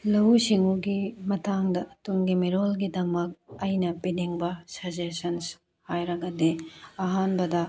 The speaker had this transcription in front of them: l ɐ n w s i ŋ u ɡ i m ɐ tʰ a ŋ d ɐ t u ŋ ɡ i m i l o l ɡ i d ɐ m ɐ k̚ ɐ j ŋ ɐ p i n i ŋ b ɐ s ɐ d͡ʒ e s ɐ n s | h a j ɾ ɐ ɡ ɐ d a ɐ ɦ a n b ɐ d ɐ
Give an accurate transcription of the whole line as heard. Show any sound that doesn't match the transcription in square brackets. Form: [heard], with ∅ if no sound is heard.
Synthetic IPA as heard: l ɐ [∅] w s i ŋ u ɡ i m ɐ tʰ a ŋ d ɐ t u ŋ ɡ i m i [ɾ] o l ɡ i d ɐ m ɐ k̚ ɐ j [n] ɐ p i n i ŋ b ɐ s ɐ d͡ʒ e s ɐ n s | h a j ɾ ɐ ɡ ɐ d [e] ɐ ɦ a n b ɐ d ɐ